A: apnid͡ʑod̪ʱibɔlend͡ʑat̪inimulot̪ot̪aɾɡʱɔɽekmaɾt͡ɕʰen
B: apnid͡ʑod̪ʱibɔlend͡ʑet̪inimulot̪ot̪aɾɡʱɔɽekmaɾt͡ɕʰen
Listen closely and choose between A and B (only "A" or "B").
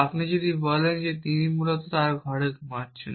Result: B